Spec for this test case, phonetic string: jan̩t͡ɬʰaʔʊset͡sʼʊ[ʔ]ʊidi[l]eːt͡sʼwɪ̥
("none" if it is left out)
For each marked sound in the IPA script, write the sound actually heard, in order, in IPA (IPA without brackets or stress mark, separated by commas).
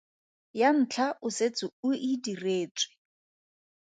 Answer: none, r